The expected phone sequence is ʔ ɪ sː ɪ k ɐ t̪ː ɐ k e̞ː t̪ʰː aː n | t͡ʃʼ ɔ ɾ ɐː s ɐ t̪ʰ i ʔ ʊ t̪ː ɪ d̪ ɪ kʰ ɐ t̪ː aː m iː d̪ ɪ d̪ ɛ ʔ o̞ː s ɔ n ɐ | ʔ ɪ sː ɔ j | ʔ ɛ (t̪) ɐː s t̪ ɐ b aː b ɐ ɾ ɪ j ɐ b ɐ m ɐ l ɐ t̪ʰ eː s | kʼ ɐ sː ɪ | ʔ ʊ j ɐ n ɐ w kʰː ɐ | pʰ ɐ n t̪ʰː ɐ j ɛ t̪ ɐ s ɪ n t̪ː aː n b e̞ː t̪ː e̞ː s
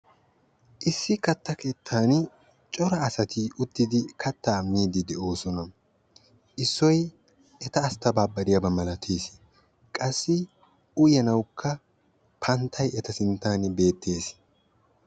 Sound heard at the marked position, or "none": t̪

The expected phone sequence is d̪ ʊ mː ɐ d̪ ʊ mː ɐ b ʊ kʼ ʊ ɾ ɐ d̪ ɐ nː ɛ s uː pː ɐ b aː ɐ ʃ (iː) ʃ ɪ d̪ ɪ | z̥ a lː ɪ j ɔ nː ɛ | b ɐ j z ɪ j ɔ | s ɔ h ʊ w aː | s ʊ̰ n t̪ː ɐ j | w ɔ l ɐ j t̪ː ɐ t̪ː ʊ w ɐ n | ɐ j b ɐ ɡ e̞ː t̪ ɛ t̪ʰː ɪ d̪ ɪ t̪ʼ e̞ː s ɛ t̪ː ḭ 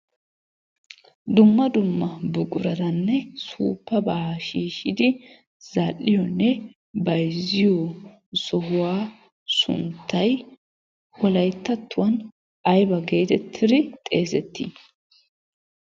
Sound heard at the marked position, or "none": iː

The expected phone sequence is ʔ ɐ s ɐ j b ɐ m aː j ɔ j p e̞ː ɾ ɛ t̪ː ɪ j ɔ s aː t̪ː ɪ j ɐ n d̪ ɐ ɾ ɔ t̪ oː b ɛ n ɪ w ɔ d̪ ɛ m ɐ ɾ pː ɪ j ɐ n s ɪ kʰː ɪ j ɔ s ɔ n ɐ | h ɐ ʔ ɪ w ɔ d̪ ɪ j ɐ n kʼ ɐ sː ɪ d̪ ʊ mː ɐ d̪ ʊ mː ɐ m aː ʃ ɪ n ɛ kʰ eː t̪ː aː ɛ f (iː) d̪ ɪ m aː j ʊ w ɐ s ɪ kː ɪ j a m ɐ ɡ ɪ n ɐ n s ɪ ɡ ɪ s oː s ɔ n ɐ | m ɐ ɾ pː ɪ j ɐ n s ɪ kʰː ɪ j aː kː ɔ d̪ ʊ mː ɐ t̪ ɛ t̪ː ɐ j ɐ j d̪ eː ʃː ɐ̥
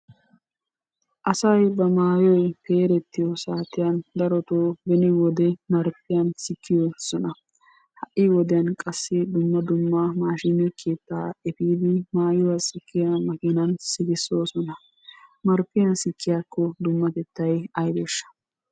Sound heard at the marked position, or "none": iː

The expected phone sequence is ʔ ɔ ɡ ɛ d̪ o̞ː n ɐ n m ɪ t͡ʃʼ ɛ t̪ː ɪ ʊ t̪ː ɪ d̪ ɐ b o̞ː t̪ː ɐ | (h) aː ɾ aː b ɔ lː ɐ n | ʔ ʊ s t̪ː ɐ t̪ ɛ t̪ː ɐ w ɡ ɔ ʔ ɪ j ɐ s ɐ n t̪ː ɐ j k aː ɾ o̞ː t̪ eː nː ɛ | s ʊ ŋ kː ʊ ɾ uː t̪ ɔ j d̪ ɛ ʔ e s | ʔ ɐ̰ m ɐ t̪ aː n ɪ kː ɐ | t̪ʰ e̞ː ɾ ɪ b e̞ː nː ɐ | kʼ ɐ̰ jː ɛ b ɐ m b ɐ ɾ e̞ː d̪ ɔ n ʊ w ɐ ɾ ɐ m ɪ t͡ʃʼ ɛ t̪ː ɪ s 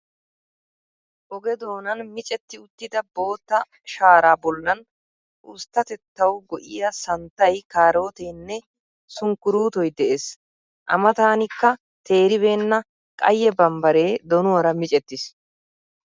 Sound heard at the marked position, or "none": ʃ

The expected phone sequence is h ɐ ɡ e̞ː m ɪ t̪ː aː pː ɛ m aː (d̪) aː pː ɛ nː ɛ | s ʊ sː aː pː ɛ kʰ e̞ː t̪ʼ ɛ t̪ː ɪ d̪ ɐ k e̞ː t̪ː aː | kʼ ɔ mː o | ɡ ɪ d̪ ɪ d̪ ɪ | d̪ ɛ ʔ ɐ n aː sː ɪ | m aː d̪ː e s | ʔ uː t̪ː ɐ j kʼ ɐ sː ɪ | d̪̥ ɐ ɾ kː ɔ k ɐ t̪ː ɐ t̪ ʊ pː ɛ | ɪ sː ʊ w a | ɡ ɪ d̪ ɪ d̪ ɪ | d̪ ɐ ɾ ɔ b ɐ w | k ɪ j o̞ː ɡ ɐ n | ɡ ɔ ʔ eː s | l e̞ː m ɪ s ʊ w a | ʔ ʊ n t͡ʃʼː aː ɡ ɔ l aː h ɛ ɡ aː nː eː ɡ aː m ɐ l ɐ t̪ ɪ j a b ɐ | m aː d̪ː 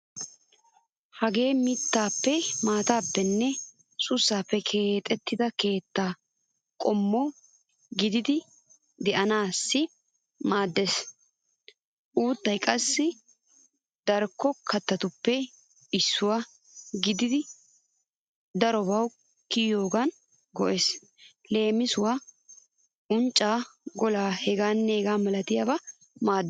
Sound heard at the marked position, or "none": t̪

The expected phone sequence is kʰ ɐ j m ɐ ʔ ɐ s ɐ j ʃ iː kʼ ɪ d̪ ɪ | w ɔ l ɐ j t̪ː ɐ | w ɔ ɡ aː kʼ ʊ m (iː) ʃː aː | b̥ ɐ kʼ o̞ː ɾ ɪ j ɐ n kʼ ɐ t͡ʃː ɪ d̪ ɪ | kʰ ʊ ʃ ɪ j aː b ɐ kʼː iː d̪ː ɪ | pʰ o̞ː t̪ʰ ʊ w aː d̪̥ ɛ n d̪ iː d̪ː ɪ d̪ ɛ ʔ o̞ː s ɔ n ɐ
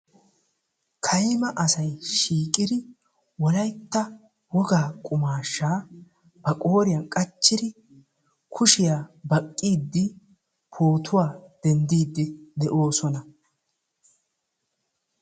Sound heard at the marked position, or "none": aː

